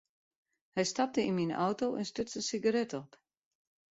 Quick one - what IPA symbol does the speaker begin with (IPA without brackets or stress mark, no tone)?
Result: h